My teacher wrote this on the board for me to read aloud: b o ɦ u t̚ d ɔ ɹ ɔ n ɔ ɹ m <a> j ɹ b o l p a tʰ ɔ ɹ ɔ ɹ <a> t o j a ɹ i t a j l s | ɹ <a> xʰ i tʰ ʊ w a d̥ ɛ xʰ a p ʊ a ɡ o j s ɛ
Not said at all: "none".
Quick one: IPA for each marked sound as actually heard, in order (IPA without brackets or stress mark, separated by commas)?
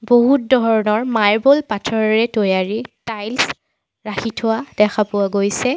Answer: a, ɛ, a